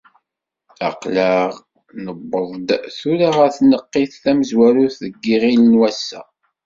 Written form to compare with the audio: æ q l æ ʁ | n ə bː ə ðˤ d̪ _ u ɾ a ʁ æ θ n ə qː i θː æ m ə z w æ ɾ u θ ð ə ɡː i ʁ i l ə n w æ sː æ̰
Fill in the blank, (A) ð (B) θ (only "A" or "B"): B